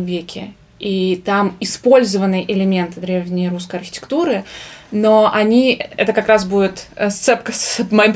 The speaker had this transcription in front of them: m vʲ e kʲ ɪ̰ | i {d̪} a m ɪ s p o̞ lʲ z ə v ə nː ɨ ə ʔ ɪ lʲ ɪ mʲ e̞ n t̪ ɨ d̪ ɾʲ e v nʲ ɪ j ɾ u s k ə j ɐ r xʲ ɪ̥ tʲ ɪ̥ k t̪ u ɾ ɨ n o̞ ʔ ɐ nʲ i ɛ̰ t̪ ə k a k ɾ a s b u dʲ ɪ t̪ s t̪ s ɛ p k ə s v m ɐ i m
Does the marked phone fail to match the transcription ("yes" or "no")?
yes